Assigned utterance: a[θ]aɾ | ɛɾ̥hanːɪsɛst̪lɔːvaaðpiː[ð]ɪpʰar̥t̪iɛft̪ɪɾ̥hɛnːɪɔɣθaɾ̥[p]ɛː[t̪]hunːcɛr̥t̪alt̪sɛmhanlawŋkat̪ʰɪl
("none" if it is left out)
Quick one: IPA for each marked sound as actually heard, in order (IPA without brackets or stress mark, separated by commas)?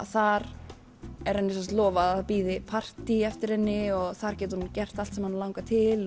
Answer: θ, ð, c, t̪